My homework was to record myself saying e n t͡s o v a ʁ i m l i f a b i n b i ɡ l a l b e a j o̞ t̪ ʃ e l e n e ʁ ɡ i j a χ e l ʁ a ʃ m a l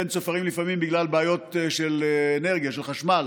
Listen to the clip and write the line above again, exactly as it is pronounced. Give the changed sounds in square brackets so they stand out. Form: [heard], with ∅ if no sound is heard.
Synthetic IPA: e n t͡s o [f] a ʁ i m l i f a [m] i [m] b i ɡ l a l b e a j o̞ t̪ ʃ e l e n e ʁ ɡ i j a [ʃ] e l [χ] a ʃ m a l